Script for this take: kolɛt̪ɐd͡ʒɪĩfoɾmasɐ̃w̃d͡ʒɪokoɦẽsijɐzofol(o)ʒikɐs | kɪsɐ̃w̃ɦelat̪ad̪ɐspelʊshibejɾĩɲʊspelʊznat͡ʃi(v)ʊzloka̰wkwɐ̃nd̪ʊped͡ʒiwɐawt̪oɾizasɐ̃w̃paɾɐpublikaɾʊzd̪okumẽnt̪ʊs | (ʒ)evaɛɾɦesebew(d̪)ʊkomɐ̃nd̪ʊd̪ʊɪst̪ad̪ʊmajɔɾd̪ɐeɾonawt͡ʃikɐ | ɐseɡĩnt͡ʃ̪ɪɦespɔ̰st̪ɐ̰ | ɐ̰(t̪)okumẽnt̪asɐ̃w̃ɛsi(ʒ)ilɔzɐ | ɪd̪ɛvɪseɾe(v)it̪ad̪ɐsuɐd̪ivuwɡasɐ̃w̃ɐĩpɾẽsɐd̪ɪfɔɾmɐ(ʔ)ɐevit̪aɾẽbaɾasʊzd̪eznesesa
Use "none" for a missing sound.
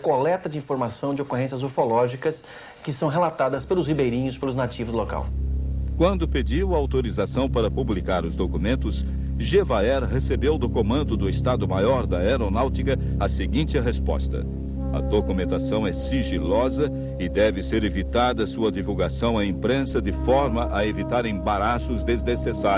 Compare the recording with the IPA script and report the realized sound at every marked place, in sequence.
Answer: ɔ, v, ʒ, d̪, d̪, ʒ, v, ʔ

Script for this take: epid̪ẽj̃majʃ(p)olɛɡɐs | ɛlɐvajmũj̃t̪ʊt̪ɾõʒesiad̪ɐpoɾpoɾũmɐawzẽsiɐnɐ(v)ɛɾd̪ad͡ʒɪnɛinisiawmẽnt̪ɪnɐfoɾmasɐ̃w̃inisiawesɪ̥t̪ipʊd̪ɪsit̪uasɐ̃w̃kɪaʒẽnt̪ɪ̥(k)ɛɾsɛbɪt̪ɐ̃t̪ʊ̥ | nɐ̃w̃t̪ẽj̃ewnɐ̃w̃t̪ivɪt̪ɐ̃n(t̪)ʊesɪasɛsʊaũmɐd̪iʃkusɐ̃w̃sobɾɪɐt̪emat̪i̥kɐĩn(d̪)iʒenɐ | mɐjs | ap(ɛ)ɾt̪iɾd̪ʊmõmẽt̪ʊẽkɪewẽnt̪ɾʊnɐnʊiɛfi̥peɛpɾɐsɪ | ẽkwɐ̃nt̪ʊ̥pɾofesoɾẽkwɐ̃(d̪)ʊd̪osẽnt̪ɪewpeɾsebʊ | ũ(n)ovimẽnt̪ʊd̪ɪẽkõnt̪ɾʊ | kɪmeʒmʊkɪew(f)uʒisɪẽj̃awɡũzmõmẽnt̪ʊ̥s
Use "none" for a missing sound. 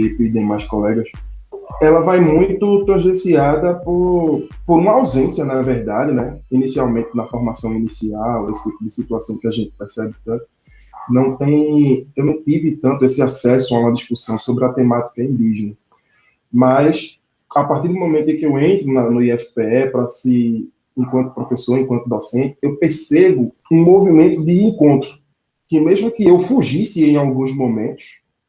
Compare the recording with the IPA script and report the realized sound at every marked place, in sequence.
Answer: k, v, p, t̪, d̪, a, t̪, m, f

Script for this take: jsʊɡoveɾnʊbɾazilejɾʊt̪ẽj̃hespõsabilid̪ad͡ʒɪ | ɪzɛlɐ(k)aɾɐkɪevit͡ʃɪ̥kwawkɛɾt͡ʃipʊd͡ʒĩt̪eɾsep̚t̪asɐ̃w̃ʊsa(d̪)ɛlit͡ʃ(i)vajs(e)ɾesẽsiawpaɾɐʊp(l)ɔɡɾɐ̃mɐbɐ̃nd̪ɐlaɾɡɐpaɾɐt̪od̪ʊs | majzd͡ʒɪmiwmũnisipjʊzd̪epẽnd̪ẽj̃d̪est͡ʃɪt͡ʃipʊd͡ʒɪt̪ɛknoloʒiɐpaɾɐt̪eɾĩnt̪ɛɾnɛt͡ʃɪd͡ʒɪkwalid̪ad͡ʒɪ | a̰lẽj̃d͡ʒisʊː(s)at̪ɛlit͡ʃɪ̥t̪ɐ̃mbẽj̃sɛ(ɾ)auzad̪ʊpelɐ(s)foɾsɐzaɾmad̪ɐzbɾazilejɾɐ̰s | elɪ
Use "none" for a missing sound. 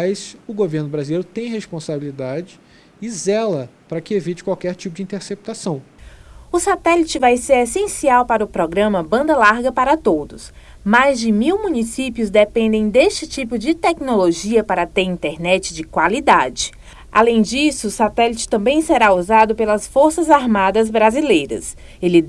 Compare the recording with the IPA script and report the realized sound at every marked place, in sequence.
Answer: p, t̪, ɪ, e, ɾ, s, ɾ, s

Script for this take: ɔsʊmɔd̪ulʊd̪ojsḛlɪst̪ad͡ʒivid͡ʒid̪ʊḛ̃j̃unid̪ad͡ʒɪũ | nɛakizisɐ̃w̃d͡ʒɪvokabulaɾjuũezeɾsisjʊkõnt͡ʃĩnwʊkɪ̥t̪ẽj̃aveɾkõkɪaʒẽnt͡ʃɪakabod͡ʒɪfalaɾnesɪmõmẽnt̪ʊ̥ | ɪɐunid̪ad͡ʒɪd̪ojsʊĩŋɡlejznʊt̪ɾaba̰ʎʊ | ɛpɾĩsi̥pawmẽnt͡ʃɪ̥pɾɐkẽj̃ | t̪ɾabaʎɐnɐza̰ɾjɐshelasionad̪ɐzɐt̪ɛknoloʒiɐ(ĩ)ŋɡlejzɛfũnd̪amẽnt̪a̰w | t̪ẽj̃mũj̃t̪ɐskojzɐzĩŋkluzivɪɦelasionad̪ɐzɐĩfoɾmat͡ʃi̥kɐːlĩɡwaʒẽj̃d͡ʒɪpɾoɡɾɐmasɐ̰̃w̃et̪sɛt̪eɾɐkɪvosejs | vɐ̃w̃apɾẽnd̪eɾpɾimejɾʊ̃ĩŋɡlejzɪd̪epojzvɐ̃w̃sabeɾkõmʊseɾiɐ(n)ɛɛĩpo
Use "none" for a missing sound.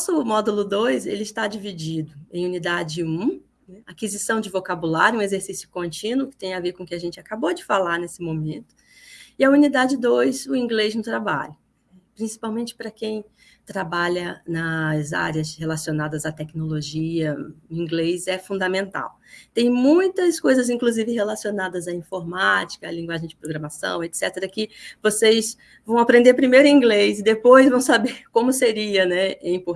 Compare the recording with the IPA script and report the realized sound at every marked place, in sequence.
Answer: ĩ, n

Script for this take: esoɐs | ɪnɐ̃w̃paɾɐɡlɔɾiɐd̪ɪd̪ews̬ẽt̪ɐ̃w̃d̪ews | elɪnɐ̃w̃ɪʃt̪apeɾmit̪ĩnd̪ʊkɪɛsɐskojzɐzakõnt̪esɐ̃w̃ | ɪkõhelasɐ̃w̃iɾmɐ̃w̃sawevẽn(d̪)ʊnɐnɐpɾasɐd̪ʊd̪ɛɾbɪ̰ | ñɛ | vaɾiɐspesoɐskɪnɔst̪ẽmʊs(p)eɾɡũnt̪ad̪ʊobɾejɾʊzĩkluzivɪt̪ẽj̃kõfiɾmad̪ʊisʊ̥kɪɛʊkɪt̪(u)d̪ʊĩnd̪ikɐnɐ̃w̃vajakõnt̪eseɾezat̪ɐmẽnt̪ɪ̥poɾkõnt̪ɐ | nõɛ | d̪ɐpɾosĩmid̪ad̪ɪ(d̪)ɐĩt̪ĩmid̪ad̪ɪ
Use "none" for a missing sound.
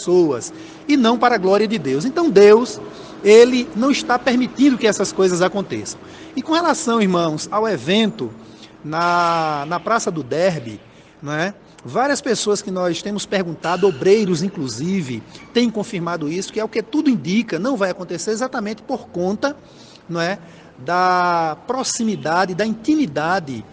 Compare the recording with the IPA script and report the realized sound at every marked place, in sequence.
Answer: t̪, p, u, d̪

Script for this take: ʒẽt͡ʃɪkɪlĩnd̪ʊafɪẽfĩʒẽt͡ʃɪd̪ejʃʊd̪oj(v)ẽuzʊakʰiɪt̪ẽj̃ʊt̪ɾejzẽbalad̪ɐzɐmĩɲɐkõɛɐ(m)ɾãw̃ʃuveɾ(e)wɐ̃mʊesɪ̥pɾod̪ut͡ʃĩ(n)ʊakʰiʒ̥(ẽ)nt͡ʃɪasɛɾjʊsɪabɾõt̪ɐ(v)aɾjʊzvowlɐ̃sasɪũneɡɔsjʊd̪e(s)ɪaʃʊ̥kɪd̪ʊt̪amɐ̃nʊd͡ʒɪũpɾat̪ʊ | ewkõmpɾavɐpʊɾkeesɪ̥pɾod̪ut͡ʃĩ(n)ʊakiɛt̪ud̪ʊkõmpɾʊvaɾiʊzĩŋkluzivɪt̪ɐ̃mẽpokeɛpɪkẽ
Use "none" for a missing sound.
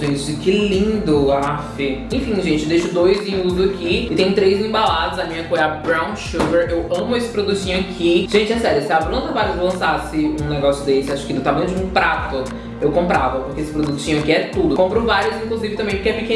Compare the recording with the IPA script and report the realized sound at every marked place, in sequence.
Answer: z, b, e, ɲ, ẽ, v, s, ɲ

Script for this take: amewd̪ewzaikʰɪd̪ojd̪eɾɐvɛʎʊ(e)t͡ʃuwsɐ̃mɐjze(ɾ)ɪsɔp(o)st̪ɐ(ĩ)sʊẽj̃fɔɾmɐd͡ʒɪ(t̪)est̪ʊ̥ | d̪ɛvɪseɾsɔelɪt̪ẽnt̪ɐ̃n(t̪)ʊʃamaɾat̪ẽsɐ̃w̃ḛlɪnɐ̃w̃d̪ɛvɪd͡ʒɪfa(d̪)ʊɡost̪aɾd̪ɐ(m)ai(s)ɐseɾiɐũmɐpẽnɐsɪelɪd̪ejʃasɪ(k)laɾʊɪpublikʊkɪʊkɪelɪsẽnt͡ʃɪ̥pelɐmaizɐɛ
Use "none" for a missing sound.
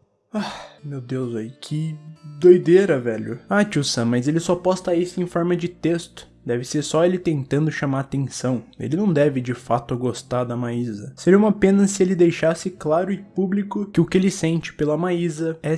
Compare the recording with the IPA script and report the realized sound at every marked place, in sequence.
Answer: a, l, ɔ, i, t̪, d̪, t̪, m, z, k

